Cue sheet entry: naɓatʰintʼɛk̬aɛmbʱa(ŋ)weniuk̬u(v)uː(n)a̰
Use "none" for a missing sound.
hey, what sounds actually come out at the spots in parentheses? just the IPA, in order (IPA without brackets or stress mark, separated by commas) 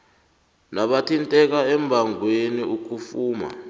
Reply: ŋ, f, m